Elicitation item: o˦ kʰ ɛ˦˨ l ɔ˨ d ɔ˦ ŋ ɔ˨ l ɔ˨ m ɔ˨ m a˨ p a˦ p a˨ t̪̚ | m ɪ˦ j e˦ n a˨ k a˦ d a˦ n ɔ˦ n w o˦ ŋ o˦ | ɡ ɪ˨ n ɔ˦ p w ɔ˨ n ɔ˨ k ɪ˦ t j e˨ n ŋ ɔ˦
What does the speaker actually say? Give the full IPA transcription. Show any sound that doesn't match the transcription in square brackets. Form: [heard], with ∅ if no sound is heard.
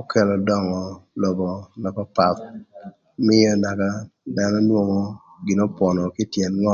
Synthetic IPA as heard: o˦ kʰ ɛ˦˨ l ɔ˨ d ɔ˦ ŋ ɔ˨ l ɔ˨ [b] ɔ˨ [n] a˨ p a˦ p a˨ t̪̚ | m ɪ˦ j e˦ n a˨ k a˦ d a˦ n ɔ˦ n w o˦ ŋ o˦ | ɡ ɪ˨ n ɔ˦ p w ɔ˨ n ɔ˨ k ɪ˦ t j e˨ n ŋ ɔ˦